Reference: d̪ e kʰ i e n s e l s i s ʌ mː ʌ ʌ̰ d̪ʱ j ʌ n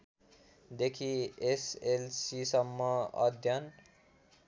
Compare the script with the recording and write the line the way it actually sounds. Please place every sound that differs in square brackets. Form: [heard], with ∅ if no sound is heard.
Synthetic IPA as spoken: d̪ e kʰ i e [∅] s e l s i s ʌ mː ʌ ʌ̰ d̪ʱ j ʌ n